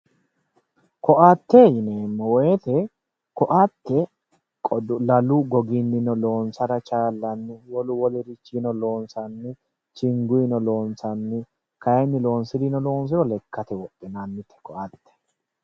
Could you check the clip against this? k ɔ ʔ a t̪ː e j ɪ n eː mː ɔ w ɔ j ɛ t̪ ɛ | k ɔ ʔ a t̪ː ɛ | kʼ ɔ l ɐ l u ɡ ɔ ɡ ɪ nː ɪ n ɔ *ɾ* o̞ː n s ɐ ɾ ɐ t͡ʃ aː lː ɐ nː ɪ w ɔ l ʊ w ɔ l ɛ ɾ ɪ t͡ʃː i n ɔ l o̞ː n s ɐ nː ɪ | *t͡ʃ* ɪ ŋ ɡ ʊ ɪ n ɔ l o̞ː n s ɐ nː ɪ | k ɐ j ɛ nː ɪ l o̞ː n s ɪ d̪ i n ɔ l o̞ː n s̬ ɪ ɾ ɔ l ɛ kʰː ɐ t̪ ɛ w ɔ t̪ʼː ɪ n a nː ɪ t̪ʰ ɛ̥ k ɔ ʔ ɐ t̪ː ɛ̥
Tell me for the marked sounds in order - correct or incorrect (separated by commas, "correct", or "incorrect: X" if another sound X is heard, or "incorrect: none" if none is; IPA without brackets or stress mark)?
incorrect: l, correct